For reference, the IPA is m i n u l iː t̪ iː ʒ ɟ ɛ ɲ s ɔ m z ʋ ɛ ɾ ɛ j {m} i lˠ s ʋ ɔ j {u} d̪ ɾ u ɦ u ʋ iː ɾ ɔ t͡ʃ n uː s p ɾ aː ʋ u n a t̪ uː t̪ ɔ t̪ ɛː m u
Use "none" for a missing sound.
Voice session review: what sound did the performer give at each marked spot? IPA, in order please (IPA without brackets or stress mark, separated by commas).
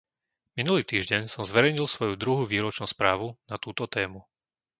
ɲ, u